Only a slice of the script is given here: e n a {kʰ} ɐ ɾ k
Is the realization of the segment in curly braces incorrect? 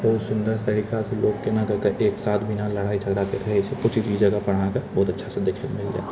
yes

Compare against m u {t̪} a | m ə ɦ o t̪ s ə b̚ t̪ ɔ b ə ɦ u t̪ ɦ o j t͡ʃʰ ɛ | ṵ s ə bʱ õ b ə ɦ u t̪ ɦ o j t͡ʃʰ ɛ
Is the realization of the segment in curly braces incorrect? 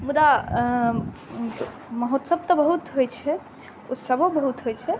yes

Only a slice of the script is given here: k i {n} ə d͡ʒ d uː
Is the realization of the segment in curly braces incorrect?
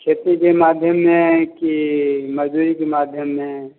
yes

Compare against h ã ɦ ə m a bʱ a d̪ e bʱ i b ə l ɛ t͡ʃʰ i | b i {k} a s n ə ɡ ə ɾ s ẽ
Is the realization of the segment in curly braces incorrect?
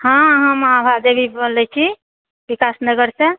no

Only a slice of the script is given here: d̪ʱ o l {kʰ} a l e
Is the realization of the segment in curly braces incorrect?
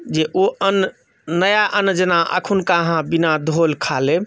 no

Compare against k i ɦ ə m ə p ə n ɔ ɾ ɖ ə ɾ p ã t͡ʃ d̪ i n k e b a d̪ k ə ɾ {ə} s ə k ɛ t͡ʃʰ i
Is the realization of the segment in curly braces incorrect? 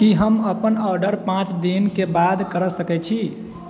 no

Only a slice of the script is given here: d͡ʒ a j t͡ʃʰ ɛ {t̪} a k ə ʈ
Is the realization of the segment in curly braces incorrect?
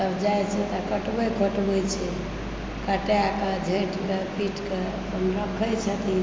no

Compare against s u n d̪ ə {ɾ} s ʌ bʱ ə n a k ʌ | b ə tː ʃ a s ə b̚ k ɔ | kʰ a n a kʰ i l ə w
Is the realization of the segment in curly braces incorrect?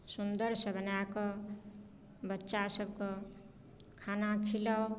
no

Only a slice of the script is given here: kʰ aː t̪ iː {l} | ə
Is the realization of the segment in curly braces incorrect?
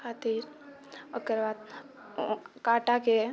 yes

